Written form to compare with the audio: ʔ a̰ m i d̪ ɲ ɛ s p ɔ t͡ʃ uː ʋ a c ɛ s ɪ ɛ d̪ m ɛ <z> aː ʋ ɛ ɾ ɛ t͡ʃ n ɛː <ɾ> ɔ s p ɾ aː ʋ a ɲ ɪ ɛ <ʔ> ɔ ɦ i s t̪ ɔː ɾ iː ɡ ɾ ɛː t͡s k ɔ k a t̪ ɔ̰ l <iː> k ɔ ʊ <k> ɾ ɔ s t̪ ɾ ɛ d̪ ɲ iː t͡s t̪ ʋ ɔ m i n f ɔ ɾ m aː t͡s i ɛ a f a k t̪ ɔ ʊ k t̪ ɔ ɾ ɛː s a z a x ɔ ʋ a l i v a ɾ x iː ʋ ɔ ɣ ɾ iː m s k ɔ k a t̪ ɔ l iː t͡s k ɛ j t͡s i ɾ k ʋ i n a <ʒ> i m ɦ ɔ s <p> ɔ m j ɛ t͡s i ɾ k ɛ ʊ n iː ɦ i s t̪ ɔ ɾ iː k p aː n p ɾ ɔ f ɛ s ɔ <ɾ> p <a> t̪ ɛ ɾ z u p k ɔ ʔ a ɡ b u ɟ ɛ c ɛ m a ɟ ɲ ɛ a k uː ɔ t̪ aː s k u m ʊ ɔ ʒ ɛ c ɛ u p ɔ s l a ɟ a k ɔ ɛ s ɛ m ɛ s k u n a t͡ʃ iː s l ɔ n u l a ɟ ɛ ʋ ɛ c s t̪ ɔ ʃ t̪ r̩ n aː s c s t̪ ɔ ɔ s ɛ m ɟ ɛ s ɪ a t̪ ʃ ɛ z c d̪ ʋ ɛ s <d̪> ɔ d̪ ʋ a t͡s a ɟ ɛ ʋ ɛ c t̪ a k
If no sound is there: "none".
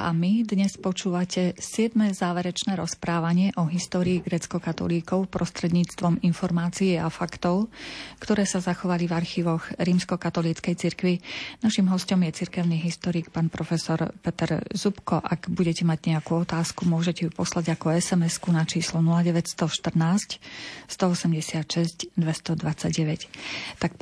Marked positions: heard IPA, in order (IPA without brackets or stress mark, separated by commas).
z, ɾ, ʔ, iː, p, ʃ, c, ɾ, ɛ, t̪